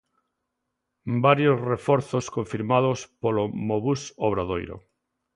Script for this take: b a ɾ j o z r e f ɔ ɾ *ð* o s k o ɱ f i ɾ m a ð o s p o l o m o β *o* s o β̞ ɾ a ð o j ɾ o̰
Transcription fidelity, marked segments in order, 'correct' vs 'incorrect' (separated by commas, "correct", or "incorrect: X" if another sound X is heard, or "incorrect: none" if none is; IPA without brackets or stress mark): incorrect: θ, incorrect: u